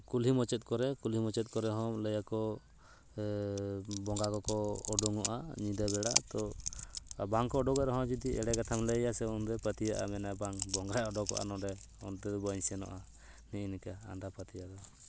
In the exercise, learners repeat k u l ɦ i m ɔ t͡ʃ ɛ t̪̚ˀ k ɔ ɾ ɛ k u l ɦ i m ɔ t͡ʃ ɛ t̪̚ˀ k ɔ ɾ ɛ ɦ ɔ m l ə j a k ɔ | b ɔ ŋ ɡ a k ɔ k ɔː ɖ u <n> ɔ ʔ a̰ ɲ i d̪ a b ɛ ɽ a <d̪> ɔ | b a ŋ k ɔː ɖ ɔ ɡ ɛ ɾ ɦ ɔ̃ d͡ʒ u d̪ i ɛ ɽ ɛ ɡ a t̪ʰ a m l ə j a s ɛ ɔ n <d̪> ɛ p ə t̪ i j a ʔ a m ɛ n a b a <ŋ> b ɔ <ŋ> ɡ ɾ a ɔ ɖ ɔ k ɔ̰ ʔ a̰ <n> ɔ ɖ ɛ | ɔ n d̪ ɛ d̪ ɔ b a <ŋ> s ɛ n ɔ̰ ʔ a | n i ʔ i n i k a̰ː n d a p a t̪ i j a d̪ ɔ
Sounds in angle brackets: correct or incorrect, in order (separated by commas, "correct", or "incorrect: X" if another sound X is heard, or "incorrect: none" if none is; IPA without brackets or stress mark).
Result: incorrect: ŋ, incorrect: t̪, correct, correct, correct, correct, incorrect: ɲ